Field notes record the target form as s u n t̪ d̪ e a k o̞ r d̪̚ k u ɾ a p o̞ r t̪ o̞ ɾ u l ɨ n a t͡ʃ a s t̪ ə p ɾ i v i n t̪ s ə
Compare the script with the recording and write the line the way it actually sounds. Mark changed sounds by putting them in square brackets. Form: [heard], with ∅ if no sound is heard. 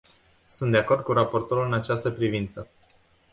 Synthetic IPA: s u n t̪ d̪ e a k o̞ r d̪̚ k u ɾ a p o̞ r t̪ o̞ ɾ u l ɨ n a t͡ʃ a s t̪ ə p ɾ i v i n t̪ s ə